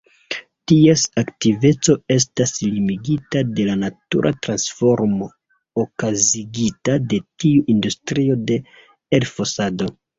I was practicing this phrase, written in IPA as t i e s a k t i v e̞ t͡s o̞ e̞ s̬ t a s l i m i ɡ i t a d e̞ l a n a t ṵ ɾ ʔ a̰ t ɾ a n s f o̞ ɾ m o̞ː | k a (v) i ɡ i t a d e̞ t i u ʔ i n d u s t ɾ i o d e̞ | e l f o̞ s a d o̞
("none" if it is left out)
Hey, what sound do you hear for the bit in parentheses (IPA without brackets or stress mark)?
z